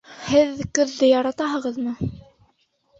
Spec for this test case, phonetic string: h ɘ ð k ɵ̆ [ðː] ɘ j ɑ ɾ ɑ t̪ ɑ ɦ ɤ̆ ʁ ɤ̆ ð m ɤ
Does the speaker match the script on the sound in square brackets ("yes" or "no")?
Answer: yes